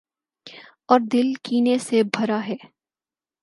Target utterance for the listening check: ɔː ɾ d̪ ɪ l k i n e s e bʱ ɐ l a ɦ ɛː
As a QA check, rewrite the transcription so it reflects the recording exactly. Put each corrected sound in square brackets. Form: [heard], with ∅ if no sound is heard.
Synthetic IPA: ɔː ɾ d̪ ɪ l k [iː] n e s e bʱ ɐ [ɾ] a ɦ ɛː